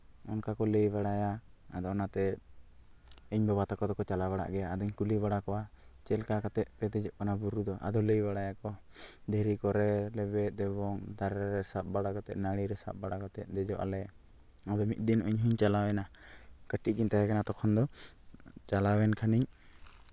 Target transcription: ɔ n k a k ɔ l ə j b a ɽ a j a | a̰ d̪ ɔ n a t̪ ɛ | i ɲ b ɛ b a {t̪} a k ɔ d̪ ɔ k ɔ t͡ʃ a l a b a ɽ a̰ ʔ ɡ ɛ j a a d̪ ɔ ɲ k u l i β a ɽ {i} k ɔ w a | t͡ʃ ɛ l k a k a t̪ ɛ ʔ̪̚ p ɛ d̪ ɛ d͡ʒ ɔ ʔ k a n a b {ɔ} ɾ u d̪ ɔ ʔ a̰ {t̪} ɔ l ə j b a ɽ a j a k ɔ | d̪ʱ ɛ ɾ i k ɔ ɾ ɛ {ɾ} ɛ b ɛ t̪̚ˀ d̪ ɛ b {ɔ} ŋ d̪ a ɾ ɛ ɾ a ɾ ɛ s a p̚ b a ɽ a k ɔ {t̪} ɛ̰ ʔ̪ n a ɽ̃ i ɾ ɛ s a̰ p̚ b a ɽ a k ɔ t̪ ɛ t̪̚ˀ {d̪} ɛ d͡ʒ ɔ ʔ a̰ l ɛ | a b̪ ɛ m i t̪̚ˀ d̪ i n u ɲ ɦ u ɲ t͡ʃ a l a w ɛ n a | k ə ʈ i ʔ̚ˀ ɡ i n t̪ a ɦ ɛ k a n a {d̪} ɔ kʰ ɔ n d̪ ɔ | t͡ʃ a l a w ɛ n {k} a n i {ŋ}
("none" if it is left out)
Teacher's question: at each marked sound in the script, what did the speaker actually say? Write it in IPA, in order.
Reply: t̪, a, u, d̪, l, ɔ, t̪, d̪, t̪, kʰ, ɲ

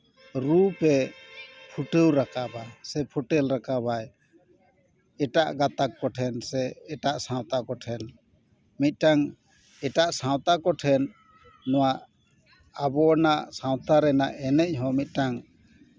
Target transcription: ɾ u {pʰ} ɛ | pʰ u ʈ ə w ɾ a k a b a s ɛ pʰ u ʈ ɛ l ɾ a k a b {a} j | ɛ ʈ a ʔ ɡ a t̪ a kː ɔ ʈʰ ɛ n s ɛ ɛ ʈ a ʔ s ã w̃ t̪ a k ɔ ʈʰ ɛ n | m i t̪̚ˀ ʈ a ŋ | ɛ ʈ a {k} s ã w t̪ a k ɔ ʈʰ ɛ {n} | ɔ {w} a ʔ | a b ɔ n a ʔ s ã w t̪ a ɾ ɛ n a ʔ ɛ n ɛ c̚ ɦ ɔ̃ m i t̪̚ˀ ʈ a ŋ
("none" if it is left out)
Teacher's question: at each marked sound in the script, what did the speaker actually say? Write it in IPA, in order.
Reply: p, a, ʔ, nː, w

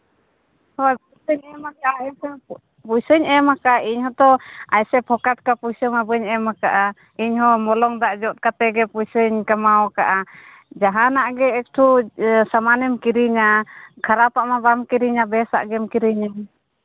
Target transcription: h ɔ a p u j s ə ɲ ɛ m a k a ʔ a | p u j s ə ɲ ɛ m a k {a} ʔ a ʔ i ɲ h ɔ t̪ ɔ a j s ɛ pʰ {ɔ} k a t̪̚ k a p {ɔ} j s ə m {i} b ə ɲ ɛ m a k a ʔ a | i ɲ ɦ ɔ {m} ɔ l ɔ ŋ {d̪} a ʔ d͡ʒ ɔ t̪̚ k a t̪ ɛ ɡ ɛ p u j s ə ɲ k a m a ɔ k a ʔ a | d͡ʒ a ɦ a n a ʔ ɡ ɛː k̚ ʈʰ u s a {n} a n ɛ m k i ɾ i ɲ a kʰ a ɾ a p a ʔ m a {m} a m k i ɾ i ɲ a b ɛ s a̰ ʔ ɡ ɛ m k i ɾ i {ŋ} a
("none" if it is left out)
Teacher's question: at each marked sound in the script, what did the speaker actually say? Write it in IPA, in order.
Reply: a, ɔ, u, a, m, d̪, m, b, ɲ

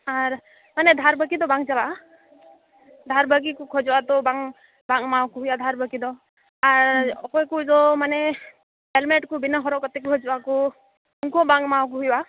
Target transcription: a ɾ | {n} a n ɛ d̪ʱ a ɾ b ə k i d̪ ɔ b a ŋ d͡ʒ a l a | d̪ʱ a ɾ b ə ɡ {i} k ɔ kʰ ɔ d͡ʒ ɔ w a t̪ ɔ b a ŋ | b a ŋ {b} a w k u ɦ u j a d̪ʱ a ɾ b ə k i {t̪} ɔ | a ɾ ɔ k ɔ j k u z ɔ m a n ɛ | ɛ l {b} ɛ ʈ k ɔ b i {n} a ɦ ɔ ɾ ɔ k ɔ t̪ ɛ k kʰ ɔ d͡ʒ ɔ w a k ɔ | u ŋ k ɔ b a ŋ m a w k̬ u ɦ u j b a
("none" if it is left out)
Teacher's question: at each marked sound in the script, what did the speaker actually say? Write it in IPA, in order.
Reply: m, i, m, d̪, m, n

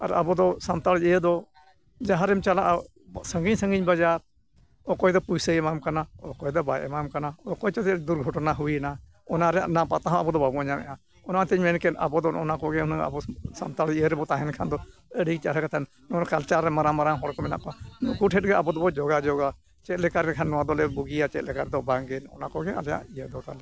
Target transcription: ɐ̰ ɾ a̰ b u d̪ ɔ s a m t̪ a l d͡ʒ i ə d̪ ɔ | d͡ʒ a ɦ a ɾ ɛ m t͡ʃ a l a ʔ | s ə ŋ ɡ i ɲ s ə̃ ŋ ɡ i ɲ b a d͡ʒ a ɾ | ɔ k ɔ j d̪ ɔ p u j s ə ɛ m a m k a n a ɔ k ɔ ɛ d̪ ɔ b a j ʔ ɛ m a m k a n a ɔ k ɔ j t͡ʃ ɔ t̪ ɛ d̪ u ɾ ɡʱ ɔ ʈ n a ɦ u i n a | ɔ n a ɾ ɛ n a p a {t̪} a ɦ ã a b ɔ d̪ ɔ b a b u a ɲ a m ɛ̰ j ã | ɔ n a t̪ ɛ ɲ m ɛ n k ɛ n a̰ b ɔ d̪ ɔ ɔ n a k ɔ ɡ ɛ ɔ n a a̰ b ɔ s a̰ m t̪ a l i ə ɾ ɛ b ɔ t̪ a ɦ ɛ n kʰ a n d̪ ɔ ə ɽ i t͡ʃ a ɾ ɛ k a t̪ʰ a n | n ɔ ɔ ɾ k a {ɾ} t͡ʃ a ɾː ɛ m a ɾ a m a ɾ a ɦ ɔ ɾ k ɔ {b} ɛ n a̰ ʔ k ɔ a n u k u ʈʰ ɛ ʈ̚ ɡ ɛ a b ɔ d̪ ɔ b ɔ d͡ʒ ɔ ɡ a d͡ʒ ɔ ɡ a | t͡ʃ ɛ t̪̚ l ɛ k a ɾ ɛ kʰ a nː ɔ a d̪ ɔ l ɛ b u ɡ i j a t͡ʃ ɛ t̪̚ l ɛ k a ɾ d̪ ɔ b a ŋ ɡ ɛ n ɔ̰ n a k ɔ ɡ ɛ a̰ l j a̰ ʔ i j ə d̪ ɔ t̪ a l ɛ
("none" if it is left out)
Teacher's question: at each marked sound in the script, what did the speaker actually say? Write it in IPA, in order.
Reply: t̪, l, m

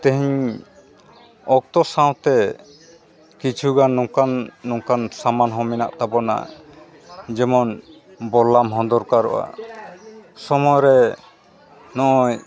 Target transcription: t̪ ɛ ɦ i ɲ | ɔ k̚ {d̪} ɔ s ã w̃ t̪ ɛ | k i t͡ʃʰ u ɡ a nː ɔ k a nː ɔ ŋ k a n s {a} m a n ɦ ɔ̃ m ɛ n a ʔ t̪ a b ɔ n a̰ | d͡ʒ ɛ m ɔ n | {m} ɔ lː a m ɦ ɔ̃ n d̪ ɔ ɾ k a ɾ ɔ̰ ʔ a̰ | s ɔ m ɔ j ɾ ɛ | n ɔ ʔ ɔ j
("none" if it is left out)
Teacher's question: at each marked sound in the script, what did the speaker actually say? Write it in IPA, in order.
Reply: t̪, a, b

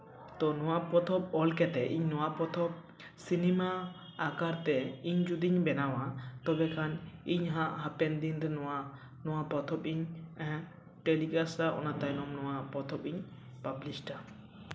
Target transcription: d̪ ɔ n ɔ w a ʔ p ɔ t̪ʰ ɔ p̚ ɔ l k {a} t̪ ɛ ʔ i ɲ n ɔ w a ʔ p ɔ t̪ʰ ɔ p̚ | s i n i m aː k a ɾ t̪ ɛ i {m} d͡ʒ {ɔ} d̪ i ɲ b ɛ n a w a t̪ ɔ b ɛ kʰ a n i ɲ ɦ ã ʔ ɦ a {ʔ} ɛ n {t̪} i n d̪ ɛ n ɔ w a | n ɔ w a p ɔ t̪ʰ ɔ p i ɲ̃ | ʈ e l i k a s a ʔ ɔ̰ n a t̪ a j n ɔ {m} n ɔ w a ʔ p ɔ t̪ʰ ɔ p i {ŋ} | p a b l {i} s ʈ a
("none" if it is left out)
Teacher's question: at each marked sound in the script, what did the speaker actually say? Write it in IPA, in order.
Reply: ɛ, ɲ, u, p, d̪, m, ɲ, i

